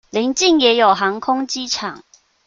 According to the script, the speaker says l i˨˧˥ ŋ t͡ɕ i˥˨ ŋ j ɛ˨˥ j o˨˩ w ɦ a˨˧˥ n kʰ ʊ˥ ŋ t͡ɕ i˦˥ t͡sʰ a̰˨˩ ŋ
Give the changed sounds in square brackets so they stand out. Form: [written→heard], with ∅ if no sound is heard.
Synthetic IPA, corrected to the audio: l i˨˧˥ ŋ t͡ɕ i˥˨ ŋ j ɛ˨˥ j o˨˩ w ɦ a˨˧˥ [n→ŋ] kʰ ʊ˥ ŋ t͡ɕ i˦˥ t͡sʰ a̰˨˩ ŋ